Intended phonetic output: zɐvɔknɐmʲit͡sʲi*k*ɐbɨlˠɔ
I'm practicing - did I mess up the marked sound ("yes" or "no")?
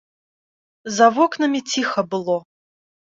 yes